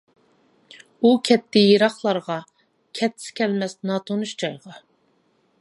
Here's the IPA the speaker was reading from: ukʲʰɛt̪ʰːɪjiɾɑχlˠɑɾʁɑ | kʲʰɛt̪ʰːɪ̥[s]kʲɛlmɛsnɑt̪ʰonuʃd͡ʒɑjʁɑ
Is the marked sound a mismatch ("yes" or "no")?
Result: no